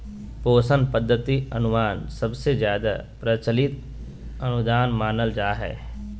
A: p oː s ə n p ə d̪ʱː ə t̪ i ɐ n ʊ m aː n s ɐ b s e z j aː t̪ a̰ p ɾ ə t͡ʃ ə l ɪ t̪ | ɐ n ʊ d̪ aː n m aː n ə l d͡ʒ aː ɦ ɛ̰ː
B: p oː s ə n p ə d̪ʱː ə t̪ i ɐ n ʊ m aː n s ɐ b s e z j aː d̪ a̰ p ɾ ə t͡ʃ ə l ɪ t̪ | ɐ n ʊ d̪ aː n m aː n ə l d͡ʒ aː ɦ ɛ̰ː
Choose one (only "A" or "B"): B